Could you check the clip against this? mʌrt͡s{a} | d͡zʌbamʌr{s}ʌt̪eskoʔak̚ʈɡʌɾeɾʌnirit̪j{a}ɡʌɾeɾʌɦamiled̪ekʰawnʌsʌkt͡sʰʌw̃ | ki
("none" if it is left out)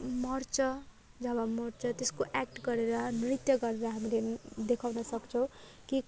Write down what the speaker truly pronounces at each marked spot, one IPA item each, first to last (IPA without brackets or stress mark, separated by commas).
ʌ, t͡s, ʌ